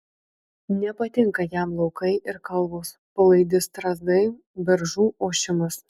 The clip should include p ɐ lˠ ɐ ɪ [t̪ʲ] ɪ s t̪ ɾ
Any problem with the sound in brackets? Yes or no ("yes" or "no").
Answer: yes